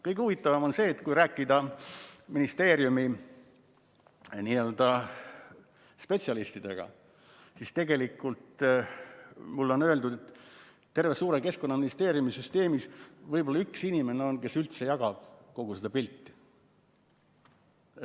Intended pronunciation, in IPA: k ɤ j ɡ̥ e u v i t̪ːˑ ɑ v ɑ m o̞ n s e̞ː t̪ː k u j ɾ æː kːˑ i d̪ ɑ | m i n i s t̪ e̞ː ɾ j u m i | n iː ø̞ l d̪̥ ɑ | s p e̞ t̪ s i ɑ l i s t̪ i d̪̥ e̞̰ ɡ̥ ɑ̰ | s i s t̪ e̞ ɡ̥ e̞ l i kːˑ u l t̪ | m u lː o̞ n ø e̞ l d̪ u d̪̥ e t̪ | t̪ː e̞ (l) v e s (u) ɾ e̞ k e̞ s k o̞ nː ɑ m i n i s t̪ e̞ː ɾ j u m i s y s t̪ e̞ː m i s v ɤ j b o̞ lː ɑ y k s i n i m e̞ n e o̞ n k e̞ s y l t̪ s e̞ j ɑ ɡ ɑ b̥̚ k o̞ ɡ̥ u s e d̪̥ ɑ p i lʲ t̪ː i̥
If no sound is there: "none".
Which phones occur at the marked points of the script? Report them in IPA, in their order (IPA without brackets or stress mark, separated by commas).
r, uː